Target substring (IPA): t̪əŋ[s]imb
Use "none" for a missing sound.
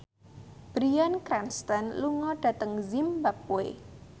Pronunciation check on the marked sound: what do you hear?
z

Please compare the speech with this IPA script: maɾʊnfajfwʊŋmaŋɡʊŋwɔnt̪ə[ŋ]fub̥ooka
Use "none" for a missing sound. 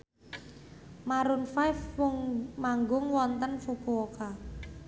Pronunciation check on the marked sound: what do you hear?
n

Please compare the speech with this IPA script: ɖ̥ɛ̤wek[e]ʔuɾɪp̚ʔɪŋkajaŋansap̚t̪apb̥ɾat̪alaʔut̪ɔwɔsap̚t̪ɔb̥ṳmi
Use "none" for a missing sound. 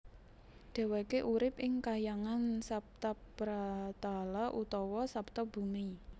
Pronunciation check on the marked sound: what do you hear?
e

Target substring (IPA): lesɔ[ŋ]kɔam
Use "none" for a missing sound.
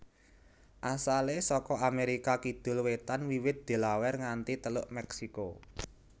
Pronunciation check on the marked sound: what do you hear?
none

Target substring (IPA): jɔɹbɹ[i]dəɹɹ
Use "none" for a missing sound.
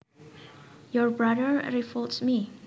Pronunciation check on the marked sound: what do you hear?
a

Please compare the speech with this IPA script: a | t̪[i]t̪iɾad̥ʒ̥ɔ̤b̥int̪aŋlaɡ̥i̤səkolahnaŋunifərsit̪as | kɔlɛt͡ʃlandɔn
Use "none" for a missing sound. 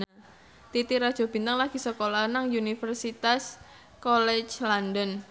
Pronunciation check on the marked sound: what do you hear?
i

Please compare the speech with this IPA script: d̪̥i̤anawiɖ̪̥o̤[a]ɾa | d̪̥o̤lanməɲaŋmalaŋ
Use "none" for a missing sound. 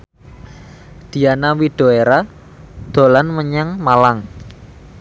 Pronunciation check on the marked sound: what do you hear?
e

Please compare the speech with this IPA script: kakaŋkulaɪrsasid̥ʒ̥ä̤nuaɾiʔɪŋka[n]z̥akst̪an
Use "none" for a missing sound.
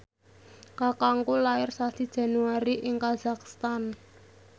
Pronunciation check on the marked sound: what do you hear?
none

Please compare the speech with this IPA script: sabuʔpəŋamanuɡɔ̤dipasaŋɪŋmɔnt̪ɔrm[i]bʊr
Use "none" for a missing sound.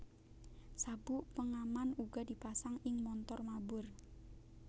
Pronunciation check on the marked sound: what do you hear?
a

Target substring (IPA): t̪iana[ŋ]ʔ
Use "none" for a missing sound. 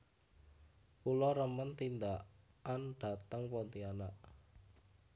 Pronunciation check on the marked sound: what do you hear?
none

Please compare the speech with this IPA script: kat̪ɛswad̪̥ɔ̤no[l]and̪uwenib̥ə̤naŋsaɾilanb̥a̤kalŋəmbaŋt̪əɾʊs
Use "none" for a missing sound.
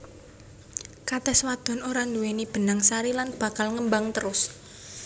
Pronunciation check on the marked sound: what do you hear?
ɾ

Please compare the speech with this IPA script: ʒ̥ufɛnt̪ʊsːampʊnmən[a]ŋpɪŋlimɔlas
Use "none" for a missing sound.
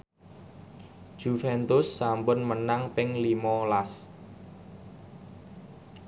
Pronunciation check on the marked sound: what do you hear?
a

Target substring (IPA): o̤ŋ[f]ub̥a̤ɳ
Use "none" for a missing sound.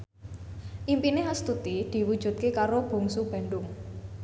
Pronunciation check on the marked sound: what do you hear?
s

